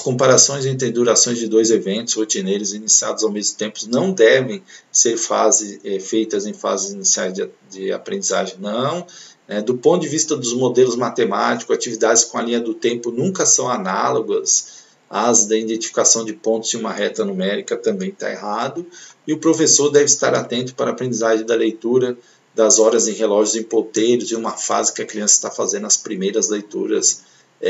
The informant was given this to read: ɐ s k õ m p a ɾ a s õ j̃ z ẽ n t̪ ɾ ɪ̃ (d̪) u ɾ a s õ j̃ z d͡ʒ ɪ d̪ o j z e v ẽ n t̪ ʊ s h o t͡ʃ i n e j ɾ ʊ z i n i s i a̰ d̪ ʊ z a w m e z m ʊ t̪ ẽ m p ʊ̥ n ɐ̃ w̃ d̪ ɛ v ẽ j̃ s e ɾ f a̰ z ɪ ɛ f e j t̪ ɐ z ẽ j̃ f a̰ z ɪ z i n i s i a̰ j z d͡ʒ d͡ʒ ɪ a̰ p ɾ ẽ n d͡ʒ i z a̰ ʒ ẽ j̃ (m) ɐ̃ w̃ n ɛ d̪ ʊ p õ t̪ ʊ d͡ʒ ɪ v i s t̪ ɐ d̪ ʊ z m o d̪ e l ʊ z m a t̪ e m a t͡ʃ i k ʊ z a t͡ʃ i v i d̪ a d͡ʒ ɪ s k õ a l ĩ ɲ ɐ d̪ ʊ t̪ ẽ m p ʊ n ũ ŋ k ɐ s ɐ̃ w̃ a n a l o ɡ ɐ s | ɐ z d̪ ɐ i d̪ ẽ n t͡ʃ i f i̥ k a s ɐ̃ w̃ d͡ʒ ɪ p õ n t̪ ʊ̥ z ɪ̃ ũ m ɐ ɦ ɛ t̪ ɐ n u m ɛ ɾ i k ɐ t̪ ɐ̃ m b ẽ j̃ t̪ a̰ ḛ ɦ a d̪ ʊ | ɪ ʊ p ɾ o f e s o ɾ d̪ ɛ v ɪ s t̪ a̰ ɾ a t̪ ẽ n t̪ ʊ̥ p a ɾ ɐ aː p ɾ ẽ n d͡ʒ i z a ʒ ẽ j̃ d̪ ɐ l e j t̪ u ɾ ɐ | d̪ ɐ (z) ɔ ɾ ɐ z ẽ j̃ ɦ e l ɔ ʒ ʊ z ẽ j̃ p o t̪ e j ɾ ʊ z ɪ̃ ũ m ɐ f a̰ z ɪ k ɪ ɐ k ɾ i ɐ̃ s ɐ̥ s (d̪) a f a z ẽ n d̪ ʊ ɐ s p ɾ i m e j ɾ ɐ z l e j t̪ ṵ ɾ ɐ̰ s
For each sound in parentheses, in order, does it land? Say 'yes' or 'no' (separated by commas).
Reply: yes, no, yes, no